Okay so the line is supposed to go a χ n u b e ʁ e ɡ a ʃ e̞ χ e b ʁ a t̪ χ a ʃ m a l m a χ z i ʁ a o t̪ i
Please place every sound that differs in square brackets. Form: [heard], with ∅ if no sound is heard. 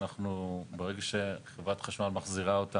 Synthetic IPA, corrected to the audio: a χ n u b e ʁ e ɡ a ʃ e̞ χ e [v] ʁ a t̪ χ a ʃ m a l m a χ z i ʁ a o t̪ [a]